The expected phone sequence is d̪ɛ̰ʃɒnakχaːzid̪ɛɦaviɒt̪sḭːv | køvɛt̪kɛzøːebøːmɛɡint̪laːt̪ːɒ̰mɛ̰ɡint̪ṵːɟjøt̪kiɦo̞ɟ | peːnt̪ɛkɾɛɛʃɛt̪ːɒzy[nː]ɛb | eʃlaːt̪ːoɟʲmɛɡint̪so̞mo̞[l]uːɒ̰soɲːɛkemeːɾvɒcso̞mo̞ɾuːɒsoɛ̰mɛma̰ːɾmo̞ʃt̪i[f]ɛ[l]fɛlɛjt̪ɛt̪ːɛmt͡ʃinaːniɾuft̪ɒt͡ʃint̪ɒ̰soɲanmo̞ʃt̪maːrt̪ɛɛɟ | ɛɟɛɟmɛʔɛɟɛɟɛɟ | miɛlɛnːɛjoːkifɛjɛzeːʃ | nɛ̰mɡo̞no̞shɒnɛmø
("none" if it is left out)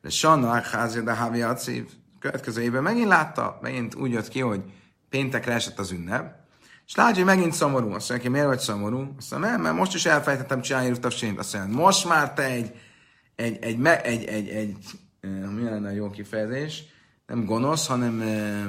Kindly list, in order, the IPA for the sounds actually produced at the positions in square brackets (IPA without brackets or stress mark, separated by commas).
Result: nː, ɾ, ʃ, l